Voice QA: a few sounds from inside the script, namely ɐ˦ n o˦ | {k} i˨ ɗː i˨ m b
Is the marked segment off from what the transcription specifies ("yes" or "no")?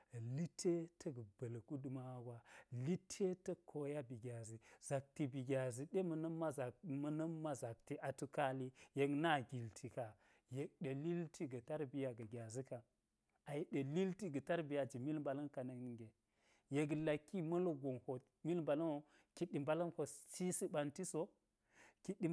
no